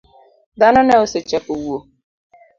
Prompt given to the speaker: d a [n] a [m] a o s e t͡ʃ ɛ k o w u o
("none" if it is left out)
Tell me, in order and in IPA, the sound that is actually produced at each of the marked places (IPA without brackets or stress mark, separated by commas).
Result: n, n